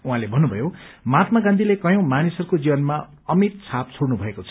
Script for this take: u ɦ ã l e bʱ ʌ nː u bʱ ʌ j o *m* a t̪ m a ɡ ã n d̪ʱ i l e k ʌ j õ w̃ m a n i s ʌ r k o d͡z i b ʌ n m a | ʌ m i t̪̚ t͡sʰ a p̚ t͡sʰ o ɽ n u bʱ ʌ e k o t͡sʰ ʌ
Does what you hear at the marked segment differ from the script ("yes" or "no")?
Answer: no